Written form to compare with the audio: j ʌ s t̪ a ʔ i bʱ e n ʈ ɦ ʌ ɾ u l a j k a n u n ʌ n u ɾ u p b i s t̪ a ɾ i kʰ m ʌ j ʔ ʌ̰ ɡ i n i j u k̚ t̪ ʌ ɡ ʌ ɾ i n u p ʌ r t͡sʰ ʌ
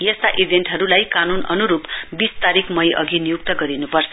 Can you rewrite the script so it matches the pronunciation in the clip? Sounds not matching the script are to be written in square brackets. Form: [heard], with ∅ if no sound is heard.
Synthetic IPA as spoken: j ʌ s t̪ a ʔ i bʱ e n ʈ ɦ ʌ ɾ u l a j k a n u n ʌ n u ɾ u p b i s t̪ a ɾ i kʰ m ʌ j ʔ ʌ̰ ɡ i n i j u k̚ t̪ ʌ ɡ ʌ ɾ i n u p ʌ r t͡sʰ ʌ